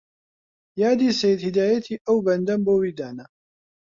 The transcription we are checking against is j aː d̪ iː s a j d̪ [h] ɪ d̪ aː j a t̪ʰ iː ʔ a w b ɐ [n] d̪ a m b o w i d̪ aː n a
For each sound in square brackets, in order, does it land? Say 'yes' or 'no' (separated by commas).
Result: yes, yes